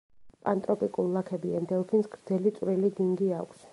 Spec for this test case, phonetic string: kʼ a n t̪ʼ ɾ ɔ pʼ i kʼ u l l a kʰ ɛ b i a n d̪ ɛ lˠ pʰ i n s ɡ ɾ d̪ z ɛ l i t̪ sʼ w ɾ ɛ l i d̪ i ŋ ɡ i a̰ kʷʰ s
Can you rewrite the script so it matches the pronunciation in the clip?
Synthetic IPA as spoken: pʼ a n t̪ʼ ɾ ɔ pʼ i kʼ u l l a kʰ ɛ b i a n d̪ ɛ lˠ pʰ i n s ɡ ɾ d̪ z ɛ l i t̪ sʼ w ɾ i l i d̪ i ŋ ɡ i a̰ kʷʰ s